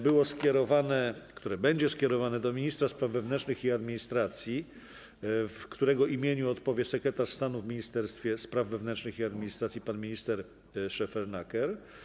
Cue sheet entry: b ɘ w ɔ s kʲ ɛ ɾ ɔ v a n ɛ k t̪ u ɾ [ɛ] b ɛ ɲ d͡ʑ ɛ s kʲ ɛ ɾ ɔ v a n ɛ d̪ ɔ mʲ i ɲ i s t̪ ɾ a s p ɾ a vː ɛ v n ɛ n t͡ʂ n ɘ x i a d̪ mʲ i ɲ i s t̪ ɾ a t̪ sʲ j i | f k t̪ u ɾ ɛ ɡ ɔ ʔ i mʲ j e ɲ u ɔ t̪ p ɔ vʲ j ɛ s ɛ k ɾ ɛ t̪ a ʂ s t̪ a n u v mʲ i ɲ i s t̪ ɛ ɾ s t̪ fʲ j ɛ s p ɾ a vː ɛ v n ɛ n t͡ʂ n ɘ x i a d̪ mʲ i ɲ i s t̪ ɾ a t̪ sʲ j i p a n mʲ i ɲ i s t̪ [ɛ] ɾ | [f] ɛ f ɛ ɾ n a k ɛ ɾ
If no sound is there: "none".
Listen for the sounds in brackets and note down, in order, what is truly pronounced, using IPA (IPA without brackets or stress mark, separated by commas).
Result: ɛ, ɛ, ʂ